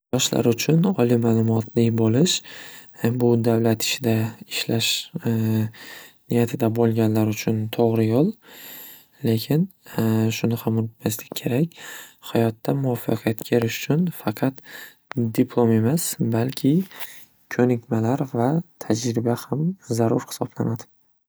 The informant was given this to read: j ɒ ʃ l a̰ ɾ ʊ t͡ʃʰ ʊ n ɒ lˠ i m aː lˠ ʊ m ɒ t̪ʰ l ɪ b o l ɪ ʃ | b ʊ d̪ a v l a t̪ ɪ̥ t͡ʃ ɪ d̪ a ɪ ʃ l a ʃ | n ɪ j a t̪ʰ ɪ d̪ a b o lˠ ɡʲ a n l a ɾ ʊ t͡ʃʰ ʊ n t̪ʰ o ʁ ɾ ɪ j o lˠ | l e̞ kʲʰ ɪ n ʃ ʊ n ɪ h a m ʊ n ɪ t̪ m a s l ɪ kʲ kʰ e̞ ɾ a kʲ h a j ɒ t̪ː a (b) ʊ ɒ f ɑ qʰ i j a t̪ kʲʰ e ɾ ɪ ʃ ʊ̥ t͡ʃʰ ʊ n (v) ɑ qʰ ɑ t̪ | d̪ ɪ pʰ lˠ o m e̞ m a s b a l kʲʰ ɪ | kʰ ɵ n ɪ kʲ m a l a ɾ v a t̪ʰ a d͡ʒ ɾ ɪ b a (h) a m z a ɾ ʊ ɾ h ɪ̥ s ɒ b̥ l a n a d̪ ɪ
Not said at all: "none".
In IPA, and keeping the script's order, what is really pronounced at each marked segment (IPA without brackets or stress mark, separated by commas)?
m, f, h